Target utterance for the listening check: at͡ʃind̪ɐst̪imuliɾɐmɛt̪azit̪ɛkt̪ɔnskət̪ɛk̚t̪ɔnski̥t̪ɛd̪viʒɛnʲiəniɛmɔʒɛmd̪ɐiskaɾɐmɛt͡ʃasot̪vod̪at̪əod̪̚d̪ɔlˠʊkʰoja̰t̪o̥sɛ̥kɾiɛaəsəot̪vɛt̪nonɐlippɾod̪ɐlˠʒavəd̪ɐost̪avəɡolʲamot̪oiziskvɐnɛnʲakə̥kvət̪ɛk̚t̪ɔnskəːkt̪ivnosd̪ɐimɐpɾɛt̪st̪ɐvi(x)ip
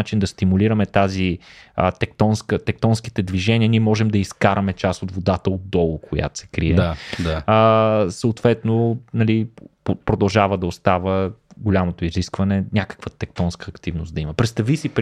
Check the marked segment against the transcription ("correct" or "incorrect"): incorrect